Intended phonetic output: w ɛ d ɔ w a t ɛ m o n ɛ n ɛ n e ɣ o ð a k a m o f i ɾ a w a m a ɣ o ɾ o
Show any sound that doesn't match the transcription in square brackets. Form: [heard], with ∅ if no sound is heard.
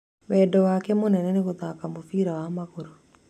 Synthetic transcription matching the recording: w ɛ d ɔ w a [k] ɛ m o n ɛ n ɛ n e ɣ o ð a k a m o f i ɾ a w a m a ɣ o ɾ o